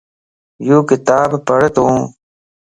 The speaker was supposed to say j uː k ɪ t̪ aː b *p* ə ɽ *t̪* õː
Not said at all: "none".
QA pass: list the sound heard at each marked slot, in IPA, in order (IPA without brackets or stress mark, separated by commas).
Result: p, t̪